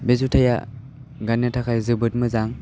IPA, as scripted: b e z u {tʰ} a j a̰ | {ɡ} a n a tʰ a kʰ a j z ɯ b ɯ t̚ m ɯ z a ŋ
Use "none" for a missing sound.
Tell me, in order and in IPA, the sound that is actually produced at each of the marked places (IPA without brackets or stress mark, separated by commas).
tʰ, ɡ